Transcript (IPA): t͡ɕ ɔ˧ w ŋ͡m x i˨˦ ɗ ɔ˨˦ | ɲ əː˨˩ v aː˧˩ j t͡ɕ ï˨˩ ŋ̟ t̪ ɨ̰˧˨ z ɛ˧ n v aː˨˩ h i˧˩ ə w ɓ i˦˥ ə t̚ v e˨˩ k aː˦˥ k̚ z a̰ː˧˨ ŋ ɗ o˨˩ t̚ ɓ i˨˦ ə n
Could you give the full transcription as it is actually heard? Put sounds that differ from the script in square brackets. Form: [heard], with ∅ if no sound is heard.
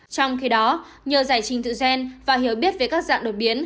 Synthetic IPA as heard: t͡ɕ ɔ˧ w ŋ͡m x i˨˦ ɗ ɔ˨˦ | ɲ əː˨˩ [z] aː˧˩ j t͡ɕ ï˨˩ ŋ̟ t̪ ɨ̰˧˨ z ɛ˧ n v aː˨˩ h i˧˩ ə w ɓ i˦˥ ə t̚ v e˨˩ k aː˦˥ k̚ z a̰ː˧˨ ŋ ɗ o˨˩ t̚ ɓ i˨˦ ə n